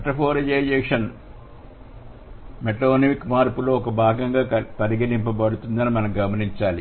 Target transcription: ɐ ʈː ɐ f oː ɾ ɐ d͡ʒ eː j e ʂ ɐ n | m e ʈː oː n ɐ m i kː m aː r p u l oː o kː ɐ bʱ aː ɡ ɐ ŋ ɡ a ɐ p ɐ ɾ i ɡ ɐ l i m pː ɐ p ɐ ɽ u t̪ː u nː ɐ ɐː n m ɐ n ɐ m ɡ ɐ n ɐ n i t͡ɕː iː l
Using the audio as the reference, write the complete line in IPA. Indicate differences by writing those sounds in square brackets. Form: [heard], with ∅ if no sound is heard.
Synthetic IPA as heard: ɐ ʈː ɐ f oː ɾ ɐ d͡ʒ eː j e ʂ ɐ n | m e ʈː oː n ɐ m i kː m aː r p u l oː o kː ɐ bʱ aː ɡ ɐ ŋ ɡ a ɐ p ɐ ɾ i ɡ ɐ l i m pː ɐ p ɐ ɽ u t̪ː u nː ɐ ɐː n m ɐ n ɐ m ɡ ɐ [m] ɐ n i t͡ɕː [aː] l